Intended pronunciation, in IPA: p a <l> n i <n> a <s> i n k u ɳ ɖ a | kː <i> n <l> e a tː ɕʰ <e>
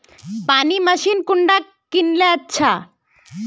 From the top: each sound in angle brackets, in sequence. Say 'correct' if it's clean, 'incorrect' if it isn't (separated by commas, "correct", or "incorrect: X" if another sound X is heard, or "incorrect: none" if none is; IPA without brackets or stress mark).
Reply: incorrect: none, incorrect: m, incorrect: ʃ, correct, correct, incorrect: a